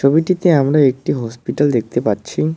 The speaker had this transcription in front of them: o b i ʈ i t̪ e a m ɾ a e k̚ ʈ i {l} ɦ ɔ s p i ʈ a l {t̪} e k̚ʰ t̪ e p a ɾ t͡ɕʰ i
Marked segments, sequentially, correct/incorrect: incorrect: none, incorrect: d̪

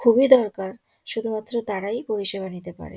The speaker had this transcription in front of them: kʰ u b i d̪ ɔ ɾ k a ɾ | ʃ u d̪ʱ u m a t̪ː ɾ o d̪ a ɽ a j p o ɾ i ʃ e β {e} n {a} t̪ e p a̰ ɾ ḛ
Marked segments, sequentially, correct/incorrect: incorrect: a, incorrect: i

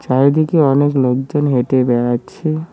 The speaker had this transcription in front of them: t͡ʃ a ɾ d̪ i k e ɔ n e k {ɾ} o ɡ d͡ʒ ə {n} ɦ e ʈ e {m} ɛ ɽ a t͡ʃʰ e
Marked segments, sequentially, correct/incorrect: incorrect: l, correct, incorrect: b

